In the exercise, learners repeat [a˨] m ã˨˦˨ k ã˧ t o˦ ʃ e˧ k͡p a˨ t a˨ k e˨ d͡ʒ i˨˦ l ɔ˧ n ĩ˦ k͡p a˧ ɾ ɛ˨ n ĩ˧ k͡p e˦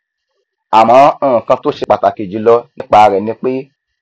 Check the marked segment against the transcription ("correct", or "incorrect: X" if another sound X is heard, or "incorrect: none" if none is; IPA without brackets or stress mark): correct